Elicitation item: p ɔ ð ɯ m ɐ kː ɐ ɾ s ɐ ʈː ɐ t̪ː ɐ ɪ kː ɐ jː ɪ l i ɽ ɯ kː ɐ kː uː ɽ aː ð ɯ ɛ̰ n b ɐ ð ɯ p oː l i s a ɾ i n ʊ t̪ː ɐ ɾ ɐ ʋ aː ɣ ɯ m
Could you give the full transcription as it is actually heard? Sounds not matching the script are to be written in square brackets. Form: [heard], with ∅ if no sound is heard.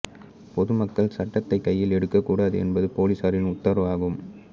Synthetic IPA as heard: p ɔ ð ɯ m ɐ kː ɐ [ɭ] s ɐ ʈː ɐ t̪ː ɐ ɪ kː ɐ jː ɪ l [ɛ] ɽ ɯ kː ɐ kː uː ɽ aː ð ɯ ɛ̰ n b ɐ ð ɯ p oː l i s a ɾ [ɪ] n ʊ t̪ː ɐ ɾ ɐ ʋ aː ɣ ɯ m